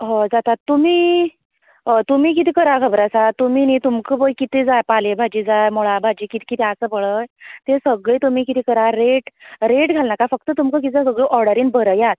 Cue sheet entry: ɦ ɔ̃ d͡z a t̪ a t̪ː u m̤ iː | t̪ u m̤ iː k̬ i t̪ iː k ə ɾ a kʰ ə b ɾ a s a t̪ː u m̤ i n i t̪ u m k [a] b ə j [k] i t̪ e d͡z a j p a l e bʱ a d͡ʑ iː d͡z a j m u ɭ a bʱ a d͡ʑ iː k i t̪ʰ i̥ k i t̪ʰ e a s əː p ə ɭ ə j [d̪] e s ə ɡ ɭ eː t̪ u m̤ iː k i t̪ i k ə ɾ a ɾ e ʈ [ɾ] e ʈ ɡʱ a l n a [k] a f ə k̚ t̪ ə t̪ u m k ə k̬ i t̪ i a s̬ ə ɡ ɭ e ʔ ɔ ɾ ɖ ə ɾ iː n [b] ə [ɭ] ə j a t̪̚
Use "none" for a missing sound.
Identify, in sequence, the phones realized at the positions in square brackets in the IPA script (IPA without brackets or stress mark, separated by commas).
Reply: ə, k, t̪, ɾ, k, b, ɾ